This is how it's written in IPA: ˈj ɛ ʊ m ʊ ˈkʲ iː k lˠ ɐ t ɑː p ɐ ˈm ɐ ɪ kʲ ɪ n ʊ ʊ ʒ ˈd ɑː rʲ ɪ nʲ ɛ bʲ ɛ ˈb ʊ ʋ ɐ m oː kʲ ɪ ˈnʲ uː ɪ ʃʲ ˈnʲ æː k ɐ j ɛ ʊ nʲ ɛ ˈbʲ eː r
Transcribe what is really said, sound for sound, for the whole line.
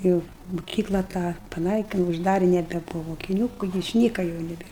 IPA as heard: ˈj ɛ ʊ m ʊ ˈkʲ iː k lˠ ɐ t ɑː p ɐ ˈn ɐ ɪ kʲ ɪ n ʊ ʊ ʒ ˈd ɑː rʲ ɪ nʲ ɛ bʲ ɛ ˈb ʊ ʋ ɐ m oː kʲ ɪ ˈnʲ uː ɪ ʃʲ ˈnʲ iː k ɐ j ɛ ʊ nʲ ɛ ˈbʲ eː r